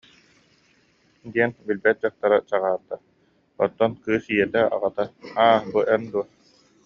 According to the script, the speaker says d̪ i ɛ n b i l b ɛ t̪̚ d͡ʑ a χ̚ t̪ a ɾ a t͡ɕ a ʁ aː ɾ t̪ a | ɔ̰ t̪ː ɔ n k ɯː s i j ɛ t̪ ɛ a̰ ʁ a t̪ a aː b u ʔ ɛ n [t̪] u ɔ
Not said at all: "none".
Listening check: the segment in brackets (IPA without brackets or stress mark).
d̪